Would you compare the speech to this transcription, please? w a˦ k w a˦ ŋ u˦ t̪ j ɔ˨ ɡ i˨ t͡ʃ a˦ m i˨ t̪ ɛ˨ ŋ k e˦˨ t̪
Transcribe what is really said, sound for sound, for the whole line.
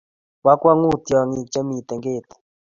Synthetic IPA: w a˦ k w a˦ ŋ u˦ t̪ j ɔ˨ ŋ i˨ t͡ʃ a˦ m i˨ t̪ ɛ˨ ŋ ɡ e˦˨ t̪